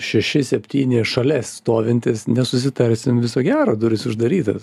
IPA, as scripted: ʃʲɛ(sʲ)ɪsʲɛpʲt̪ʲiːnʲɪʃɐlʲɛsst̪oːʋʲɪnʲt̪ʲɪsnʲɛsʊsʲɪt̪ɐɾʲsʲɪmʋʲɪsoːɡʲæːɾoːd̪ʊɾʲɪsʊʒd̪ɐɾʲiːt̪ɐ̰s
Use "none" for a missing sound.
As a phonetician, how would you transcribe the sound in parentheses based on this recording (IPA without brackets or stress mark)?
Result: ʃʲ